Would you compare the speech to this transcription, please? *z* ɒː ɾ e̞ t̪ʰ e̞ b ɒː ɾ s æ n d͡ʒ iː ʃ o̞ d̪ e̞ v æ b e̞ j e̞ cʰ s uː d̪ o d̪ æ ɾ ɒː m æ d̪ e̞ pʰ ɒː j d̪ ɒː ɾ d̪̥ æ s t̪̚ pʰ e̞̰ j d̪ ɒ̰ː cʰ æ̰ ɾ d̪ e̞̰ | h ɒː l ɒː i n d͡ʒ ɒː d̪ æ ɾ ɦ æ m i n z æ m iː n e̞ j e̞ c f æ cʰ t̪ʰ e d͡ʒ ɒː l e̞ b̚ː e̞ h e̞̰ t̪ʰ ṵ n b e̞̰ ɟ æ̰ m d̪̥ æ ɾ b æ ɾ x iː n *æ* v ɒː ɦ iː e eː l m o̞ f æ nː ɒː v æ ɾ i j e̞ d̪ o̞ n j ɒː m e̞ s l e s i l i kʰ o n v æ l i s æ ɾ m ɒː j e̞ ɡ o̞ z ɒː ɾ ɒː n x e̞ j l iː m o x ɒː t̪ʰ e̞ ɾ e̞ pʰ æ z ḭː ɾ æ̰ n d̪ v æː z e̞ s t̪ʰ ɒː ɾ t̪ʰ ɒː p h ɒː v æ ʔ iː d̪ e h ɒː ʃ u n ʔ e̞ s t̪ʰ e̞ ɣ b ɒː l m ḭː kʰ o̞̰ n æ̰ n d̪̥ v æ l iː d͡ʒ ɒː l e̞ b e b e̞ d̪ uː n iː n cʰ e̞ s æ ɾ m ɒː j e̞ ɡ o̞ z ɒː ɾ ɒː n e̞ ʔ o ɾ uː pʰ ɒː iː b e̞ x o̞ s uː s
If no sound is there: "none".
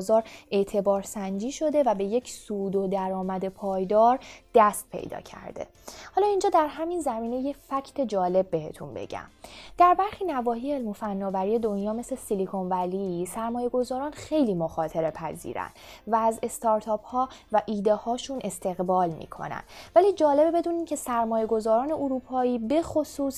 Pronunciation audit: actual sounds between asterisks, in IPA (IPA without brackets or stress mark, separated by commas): z, æ